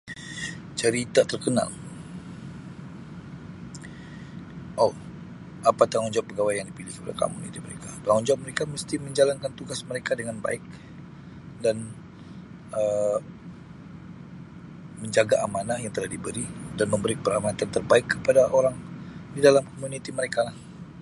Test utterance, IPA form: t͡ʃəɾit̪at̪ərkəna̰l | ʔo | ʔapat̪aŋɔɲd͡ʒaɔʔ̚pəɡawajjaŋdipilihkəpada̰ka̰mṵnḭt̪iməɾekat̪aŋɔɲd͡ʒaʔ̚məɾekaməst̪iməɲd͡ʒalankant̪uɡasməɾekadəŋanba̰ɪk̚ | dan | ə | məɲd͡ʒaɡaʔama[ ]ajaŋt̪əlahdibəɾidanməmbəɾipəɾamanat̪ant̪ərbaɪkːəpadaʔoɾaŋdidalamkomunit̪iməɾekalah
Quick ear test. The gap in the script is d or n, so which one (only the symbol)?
n